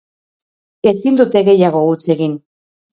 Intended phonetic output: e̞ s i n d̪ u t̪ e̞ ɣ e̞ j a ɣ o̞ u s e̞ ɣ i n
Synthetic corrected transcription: e̞ s i n d̪ u t̪ e̞ ɣ e̞ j a ɣ o̞ u t͡s e̞ ɣ i n